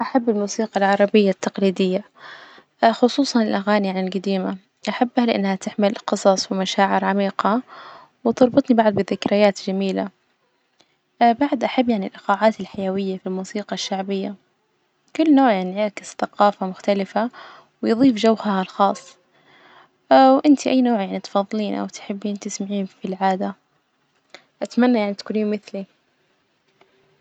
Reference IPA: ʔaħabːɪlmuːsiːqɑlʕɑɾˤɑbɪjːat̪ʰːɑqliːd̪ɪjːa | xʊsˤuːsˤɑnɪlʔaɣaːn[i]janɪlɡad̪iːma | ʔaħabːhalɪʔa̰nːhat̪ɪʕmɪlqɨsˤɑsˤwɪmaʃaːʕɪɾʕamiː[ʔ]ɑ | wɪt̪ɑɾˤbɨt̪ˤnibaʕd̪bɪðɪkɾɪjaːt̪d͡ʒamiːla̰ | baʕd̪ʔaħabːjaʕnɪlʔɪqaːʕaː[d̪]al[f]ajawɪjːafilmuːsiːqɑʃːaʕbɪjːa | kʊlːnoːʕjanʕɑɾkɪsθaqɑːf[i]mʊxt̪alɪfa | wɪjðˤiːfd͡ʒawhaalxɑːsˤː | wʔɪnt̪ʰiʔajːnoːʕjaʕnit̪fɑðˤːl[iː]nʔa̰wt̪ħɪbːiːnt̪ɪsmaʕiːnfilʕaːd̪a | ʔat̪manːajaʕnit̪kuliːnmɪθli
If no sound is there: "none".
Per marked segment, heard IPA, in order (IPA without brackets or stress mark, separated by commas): i, q, t̪, ħ, a, iː